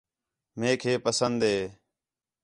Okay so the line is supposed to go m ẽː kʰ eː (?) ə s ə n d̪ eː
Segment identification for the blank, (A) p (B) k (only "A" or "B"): A